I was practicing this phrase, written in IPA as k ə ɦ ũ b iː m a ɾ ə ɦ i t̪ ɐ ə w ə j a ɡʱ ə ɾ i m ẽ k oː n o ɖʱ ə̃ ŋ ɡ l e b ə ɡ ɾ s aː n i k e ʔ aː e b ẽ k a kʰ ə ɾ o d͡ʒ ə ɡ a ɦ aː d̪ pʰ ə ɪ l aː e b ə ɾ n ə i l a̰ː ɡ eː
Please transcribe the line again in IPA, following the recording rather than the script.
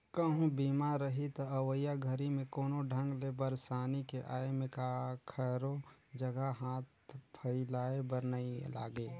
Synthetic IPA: k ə ɦ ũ b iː m a ɾ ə ɦ i t̪ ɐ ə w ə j a ɡʱ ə ɾ i m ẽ k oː n o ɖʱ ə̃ ŋ ɡ l e b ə ɾ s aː n i k e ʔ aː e m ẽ k a kʰ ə ɾ o d͡ʒ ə ɡ a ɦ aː t̪ pʰ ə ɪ l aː e b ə ɾ n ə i l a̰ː ɡ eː